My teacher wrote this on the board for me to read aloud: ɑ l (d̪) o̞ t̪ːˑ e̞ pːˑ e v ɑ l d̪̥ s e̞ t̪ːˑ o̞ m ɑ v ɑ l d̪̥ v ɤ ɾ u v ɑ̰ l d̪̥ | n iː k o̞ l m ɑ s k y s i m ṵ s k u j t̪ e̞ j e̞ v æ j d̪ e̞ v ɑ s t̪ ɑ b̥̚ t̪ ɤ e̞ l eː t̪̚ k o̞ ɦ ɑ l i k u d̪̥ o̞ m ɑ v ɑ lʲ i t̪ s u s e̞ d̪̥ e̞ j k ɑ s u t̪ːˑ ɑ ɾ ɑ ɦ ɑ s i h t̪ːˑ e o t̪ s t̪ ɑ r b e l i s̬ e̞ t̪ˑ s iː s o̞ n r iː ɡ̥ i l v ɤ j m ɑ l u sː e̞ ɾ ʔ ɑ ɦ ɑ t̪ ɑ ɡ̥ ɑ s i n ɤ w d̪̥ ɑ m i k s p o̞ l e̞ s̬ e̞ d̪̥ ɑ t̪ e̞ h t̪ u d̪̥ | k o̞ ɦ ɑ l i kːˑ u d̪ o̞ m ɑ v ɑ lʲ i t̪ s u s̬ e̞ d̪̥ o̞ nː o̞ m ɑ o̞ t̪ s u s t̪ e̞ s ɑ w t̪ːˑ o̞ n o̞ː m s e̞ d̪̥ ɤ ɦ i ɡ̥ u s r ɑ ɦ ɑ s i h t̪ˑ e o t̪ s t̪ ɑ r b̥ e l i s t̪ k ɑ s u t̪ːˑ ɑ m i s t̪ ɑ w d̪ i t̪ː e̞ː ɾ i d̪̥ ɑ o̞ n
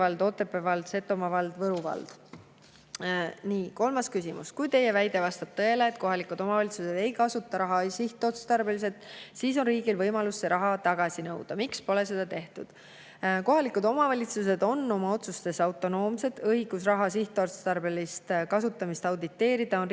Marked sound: correct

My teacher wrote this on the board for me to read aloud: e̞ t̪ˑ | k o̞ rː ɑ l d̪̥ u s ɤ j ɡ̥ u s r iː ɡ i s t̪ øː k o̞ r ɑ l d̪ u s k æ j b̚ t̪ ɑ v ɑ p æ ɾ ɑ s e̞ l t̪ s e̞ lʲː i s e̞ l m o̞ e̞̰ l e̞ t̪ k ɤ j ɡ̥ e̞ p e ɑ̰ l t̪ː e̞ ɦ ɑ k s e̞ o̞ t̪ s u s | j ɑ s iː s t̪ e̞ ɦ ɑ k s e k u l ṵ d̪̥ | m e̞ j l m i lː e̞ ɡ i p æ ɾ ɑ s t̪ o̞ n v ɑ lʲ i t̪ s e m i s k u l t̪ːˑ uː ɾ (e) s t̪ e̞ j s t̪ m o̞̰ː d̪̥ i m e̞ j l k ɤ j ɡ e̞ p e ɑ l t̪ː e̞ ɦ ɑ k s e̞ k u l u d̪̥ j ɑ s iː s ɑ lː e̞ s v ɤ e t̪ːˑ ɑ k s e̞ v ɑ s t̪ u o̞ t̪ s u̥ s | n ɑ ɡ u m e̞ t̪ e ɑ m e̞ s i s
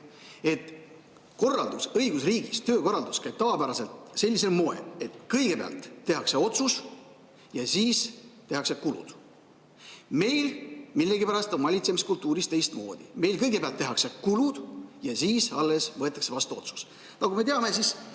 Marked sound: incorrect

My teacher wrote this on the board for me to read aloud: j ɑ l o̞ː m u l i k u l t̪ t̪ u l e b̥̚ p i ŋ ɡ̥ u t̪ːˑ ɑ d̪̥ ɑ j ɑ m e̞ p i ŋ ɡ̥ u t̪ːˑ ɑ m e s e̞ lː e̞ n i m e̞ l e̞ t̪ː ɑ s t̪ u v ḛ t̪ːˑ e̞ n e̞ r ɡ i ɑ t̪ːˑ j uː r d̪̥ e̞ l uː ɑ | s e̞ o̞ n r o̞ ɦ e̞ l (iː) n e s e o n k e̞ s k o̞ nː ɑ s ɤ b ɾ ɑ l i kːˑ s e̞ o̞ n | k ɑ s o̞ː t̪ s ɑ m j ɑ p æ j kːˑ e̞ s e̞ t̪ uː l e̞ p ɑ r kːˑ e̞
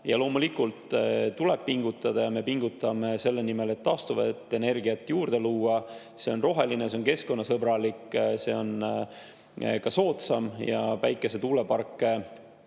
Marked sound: incorrect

